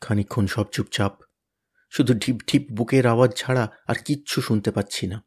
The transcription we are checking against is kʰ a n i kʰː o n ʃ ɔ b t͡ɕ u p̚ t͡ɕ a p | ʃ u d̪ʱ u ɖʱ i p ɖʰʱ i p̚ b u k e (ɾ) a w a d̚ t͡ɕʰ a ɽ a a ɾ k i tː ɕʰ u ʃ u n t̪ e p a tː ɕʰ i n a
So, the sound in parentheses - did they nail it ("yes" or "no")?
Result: yes